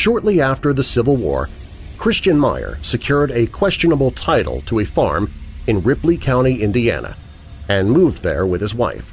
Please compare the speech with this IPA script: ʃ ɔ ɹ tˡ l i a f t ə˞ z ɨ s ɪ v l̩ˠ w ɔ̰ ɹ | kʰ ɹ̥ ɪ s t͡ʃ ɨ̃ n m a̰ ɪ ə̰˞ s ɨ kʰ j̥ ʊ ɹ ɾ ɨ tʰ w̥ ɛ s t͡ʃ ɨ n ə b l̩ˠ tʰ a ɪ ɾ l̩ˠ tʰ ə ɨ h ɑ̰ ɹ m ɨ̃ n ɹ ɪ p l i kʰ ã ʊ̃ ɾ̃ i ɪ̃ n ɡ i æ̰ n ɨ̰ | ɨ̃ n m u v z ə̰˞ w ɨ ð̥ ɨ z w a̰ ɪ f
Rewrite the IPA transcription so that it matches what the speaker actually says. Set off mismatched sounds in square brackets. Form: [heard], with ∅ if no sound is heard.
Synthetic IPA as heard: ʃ ɔ ɹ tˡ l i [æ] f t ə˞ [ð] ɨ s ɪ v l̩ˠ w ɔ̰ ɹ | kʰ ɹ̥ ɪ s t͡ʃ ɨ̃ n m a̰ ɪ ə̰˞ s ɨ kʰ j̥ ʊ ɹ ɾ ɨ [kʰ] w̥ ɛ s t͡ʃ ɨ n ə b l̩ˠ tʰ a ɪ ɾ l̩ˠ tʰ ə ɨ [f] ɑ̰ ɹ m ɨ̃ n ɹ ɪ p l i kʰ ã ʊ̃ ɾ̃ i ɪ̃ n [d] i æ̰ n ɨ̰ | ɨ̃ n m u v [ð] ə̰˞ w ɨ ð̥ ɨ z w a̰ ɪ f